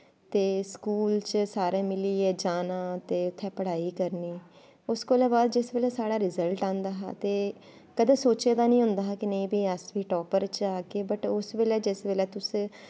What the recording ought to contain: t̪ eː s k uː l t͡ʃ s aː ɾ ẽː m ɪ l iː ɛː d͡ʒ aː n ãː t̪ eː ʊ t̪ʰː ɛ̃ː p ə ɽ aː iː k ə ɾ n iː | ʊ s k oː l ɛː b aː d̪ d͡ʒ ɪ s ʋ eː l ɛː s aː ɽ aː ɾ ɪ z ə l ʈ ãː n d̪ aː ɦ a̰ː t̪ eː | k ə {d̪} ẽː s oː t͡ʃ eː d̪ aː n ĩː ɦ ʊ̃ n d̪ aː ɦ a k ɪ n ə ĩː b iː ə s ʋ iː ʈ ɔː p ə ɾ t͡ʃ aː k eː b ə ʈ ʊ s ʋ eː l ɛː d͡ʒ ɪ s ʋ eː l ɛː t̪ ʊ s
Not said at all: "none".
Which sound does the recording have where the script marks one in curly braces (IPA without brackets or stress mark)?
d̪